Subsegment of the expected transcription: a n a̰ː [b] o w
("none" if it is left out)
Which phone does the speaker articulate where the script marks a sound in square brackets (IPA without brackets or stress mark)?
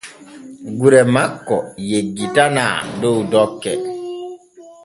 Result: d